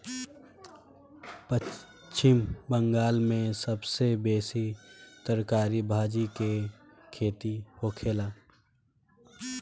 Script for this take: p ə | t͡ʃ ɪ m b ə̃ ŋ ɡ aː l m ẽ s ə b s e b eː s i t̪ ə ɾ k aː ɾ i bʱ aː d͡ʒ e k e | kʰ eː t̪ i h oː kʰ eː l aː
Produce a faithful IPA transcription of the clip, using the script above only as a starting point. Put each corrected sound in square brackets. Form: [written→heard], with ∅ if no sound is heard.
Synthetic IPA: p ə | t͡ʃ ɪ m b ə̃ ŋ ɡ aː l m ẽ s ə b s e b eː s i t̪ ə ɾ k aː ɾ i bʱ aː d͡ʒ [e→i] k e | kʰ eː t̪ i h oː kʰ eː l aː